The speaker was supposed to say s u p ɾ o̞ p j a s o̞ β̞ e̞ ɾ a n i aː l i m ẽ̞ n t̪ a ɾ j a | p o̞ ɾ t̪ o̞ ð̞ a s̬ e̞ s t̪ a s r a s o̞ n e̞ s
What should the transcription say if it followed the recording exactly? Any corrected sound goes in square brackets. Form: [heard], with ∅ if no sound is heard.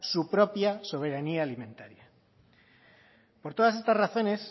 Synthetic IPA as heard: s u p ɾ o̞ p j a s o̞ β̞ e̞ ɾ a n i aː l i m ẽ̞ n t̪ a ɾ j a | p o̞ ɾ t̪ o̞ ð̞ a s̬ e̞ s t̪ a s r a [θ] o̞ n e̞ s